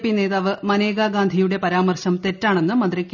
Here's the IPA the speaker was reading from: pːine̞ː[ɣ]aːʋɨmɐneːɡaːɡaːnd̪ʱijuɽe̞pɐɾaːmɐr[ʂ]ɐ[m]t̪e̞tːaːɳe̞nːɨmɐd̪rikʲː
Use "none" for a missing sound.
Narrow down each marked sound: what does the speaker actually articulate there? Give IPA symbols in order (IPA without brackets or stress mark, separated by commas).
ð, ɕ, m